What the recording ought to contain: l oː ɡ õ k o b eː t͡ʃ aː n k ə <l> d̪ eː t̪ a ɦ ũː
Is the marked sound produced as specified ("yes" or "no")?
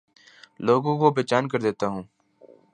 no